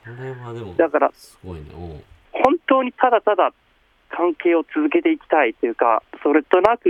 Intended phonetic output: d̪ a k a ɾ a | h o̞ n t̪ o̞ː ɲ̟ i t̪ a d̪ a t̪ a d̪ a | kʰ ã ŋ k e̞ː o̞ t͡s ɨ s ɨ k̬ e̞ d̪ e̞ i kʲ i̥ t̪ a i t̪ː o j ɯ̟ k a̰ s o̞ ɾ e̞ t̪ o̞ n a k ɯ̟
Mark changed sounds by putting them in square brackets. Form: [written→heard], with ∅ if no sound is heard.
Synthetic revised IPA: d̪ a k a ɾ a | h [o̞→õ̞] n t̪ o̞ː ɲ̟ i t̪ a d̪ a t̪ a d̪ a | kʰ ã ŋ k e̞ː o̞ t͡s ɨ [s→z] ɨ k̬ e̞ [d̪→t̪] e̞ i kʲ i̥ t̪ a i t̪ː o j ɯ̟ k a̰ s o̞ ɾ e̞ t̪ o̞ n a k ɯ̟